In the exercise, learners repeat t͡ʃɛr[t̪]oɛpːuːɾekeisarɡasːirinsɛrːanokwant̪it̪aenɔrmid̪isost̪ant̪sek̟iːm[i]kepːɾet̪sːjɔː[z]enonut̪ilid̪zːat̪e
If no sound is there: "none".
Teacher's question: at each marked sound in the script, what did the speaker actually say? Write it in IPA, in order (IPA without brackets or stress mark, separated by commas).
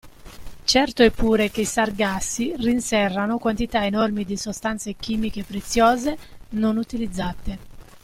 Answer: t̪, i, z